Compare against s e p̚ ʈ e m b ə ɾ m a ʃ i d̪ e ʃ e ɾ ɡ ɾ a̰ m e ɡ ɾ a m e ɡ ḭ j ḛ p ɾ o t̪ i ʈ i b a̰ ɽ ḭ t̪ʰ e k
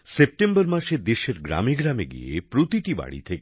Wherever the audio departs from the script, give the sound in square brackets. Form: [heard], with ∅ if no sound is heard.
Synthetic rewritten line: s e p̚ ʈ e m b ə ɾ m a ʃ [e] d̪ e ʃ e ɾ ɡ ɾ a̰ m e ɡ ɾ a m e ɡ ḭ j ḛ p ɾ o t̪ i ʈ i b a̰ ɽ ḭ t̪ʰ e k